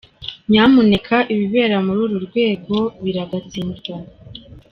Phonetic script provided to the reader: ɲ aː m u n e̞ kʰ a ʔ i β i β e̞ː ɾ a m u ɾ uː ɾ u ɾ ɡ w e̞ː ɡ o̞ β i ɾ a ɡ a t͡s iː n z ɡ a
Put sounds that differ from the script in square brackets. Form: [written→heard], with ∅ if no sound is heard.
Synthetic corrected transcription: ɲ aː m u n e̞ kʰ a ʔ i β i β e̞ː ɾ a m u ɾ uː ɾ u ɾ ɡ w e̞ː ɡ o̞ β i ɾ a ɡ a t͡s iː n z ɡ a